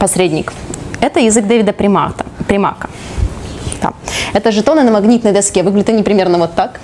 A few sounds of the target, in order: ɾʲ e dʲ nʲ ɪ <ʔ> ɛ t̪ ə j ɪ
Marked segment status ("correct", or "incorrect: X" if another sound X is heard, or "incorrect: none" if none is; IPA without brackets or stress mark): incorrect: k